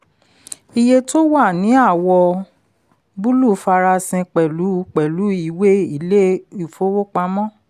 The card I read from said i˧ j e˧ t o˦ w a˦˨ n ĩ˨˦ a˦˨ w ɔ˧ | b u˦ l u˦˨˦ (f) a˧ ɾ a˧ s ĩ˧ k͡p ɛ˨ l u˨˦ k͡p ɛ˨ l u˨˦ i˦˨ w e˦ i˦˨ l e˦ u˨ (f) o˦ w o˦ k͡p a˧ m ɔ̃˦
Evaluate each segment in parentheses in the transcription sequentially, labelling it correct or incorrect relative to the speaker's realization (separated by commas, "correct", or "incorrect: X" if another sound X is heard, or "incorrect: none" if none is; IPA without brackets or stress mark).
correct, correct